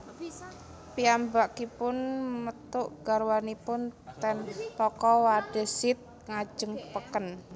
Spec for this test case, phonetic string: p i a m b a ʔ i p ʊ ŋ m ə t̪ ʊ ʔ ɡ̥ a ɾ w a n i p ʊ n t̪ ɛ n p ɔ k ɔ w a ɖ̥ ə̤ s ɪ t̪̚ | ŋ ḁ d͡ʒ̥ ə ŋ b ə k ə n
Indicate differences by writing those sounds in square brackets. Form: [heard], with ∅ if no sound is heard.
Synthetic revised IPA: p i a m b a [k] i p ʊ [n] m ə t̪ ʊ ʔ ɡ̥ a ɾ w a n i p ʊ n t̪ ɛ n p ɔ k ɔ w a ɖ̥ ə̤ s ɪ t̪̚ | ŋ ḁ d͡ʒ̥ ə ŋ [p] ə k ə n